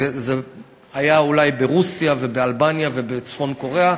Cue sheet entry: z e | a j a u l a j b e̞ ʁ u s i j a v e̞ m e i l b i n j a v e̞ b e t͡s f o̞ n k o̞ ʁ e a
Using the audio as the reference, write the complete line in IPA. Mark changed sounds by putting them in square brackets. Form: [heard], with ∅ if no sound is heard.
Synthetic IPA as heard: z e | a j a u l a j b e̞ ʁ u s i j a v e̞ [b] e [a] l b [a] n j a v e̞ b e t͡s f o̞ n k o̞ ʁ e a